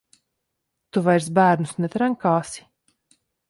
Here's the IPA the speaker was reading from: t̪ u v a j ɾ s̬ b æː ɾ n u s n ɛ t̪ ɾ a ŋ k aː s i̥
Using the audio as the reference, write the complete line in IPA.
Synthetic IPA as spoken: t̪ u v a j ɾ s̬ b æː ɾ n u s n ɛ t̪ ɾ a ŋ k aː s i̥

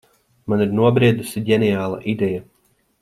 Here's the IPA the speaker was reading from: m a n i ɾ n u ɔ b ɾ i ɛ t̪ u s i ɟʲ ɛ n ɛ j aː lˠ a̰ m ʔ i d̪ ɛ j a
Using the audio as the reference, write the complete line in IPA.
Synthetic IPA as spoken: m a n i ɾ n u ɔ b ɾ i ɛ d̪ u s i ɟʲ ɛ n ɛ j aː lˠ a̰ ʔ i d̪ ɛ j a

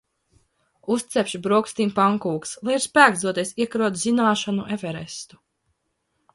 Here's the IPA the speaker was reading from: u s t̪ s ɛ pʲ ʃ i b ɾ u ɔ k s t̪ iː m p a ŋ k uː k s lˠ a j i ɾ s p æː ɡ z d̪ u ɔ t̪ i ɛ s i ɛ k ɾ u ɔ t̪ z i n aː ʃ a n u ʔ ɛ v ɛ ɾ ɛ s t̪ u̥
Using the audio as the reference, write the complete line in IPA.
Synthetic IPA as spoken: u s t̪ s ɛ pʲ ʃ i b ɾ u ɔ k s t̪ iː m p a ŋ k uː k s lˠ a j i ɾ s p æː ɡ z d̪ u ɔ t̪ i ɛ s i ɛ k ɾ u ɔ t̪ z i n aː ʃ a n u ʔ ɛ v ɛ ɾ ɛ s t̪ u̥

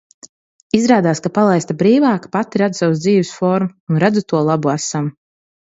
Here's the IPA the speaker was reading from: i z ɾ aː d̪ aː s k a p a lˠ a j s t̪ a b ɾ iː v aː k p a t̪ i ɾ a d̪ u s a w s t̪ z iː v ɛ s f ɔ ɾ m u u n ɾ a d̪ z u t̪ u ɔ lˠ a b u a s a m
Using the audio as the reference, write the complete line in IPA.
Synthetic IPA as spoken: i z ɾ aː d̪ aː s k a p a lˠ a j s t̪ a b ɾ iː v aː k p a t̪ i ɾ a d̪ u s a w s d̪ z iː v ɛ s f ɔ ɾ m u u n ɾ a d̪ z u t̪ u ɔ lˠ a b u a s a m

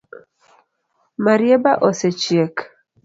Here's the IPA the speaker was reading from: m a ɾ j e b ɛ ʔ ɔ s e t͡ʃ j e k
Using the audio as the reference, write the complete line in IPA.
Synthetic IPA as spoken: m a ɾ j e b a ʔ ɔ s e t͡ʃ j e k

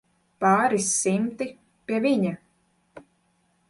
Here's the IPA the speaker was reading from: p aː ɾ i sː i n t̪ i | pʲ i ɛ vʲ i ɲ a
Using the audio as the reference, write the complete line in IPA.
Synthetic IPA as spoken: p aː ɾ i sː i m t̪ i | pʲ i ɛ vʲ i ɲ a

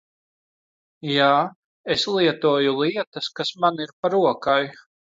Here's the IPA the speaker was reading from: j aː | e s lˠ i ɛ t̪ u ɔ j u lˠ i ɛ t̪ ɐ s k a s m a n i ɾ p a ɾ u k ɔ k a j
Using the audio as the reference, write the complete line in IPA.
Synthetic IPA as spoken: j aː | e s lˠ i ɛ t̪ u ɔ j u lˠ i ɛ t̪ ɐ s k a s m a n i ɾ p a ɾ u ɔ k a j

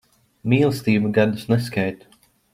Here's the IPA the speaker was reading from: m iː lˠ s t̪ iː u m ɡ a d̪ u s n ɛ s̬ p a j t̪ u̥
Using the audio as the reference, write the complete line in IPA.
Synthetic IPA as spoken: m iː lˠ s t̪ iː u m ɡ a d̪ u s n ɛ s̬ k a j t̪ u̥

